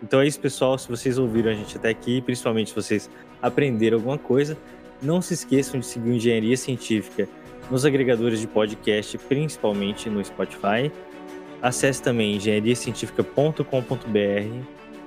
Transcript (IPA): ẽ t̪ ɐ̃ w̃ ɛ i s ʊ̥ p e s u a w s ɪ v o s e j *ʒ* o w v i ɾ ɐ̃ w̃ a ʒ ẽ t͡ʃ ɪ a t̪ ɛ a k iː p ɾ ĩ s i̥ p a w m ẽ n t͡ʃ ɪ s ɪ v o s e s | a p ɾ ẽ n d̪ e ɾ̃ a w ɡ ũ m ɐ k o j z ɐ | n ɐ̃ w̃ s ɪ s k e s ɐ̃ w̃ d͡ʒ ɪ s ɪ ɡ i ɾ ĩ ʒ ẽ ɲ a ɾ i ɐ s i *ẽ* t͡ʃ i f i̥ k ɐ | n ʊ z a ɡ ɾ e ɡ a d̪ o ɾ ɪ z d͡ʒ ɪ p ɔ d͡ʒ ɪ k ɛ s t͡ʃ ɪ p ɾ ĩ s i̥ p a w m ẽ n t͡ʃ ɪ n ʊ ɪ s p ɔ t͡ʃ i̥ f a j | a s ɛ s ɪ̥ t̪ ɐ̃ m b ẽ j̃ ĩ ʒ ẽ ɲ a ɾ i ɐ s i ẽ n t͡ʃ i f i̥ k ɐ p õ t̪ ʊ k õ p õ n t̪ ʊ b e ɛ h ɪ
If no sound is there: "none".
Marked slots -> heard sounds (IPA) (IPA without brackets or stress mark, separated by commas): z, ẽ